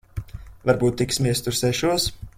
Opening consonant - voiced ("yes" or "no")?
yes